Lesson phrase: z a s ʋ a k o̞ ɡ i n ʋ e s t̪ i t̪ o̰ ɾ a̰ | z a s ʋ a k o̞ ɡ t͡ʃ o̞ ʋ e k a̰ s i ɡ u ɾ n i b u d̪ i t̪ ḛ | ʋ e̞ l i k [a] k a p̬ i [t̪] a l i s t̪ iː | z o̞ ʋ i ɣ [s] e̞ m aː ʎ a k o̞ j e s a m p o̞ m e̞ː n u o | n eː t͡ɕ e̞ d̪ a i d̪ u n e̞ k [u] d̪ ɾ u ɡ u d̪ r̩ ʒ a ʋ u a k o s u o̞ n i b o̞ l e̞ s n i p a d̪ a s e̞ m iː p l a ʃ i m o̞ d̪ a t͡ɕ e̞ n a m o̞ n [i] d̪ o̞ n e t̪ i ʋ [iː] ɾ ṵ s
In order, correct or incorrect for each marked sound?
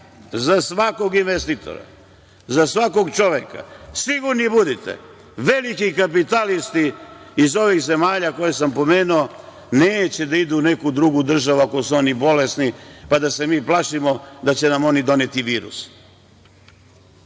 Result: incorrect: i, correct, incorrect: z, correct, correct, correct

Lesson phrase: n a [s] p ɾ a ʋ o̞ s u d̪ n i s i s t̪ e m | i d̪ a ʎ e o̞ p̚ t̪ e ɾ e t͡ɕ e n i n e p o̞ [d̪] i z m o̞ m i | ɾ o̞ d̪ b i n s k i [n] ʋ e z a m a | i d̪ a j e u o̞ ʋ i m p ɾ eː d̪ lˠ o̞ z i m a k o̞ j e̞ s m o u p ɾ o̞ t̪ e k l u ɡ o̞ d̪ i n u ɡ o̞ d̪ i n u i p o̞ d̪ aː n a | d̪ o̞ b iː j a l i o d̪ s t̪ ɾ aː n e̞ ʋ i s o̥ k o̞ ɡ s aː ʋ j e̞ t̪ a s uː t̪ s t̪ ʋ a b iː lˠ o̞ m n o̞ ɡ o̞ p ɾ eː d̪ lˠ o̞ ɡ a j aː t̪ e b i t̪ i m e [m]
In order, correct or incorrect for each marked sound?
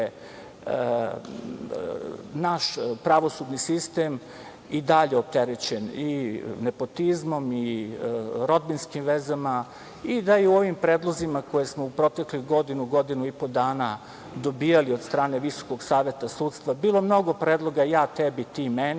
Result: incorrect: ʃ, incorrect: t̪, incorrect: m, incorrect: n

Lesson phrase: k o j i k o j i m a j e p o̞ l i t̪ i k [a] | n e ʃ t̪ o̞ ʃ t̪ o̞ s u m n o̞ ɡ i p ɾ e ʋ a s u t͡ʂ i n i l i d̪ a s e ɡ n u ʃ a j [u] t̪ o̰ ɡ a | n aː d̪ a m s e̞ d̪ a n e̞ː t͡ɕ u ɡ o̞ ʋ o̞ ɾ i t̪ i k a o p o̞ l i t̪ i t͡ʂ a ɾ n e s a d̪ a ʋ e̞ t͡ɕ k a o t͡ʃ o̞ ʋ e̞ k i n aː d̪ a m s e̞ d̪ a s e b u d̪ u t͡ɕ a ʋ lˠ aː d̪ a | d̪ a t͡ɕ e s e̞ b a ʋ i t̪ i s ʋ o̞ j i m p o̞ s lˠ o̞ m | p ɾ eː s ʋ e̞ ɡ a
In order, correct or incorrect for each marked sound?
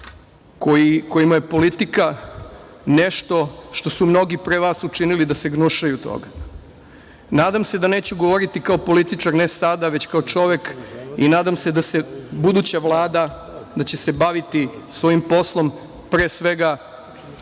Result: correct, correct

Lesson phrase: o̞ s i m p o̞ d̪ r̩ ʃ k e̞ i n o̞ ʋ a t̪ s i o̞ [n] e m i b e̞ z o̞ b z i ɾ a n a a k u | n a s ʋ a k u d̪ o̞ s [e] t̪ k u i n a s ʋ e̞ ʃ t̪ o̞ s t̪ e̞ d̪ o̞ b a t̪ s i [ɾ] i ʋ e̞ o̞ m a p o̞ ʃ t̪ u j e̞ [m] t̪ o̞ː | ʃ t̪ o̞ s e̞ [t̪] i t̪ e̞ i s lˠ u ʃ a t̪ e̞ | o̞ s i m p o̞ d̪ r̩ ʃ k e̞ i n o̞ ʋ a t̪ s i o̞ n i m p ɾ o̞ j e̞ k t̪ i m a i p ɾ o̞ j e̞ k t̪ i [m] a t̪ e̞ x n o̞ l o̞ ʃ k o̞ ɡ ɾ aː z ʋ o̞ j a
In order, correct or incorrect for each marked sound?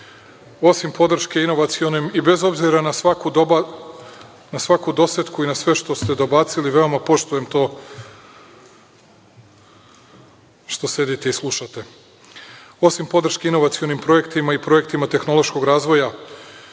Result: correct, correct, incorrect: l, correct, incorrect: d̪, correct

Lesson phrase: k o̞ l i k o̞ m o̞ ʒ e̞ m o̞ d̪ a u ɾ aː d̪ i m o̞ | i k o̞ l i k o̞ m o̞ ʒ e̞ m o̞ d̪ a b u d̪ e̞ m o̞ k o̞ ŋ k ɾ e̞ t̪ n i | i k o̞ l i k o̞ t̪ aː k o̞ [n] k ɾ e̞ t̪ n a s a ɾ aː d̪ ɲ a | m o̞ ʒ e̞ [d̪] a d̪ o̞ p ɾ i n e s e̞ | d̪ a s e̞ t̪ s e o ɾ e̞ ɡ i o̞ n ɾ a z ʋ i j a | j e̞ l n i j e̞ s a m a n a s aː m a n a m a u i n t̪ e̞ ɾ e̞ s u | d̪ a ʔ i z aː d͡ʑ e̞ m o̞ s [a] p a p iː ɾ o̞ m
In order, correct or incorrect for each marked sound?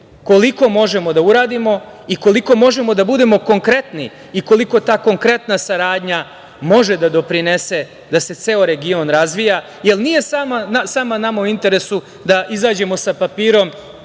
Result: incorrect: ŋ, correct, correct

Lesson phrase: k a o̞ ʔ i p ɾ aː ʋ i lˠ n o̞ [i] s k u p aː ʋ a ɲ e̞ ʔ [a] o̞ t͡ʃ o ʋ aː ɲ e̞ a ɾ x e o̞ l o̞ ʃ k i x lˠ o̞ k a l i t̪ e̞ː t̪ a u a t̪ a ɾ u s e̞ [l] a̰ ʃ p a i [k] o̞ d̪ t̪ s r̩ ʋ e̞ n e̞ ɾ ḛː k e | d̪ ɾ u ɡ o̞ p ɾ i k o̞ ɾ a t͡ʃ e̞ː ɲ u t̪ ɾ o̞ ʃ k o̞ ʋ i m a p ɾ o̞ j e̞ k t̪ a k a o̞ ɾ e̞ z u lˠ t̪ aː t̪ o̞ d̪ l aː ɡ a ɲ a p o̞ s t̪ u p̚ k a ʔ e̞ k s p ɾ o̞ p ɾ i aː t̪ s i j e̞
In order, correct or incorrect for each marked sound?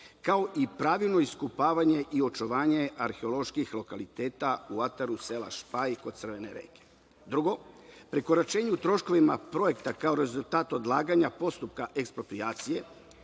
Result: correct, incorrect: i, correct, correct

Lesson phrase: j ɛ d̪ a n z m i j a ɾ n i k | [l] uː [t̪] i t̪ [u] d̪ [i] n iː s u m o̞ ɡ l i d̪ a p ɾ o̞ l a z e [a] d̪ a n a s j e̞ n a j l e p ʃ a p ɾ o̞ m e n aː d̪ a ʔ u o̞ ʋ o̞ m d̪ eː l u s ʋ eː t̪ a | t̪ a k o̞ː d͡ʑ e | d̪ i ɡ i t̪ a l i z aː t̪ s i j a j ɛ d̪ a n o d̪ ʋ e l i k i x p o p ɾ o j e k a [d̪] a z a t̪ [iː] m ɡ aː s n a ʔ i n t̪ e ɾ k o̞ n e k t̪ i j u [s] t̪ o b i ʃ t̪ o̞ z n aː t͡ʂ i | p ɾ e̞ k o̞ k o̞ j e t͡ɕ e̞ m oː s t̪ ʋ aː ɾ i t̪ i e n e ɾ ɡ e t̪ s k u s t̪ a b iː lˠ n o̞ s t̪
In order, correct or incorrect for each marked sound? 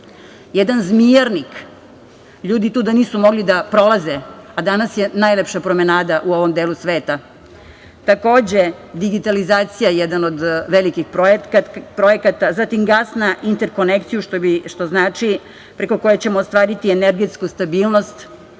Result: incorrect: ʎ, incorrect: d̪, incorrect: uː, incorrect: a, correct, incorrect: t̪, incorrect: i, incorrect: ʃ

